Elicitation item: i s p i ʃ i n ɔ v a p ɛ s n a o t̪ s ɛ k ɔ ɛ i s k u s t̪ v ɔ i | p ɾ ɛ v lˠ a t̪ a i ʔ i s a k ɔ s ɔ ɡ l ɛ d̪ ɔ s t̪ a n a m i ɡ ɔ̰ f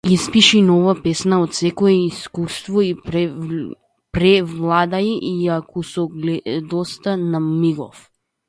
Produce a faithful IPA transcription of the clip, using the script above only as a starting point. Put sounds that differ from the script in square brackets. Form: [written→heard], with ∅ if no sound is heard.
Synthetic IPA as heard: i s p i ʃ i n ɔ v a p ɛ s n a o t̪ s ɛ k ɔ ɛ i s k u s t̪ v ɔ i | p ɾ ɛ v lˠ a [t̪→d̪] a i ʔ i [s→∅] a k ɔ s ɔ ɡ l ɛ d̪ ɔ s t̪ a n a m i ɡ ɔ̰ f